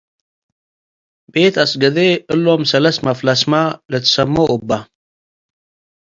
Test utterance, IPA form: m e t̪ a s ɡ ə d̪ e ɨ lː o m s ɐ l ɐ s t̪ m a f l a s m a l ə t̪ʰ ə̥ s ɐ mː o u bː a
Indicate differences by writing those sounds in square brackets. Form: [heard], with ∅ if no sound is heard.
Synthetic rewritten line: [b] e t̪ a s ɡ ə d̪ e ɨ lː o m s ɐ l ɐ s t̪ m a f l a s m a l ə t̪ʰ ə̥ s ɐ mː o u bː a